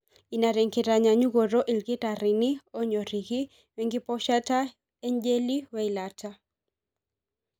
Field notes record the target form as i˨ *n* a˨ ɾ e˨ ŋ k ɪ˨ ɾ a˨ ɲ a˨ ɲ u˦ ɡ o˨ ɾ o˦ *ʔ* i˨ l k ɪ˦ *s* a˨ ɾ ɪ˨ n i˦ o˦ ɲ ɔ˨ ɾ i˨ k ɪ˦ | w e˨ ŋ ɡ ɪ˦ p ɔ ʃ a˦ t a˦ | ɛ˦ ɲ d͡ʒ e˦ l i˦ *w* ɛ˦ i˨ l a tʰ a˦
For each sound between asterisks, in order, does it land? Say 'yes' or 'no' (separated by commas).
yes, yes, no, yes